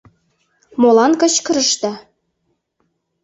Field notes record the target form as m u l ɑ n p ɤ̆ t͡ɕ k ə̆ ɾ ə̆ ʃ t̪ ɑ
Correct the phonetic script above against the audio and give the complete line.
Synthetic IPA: m o l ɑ n k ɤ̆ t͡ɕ k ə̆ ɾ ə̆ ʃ t̪ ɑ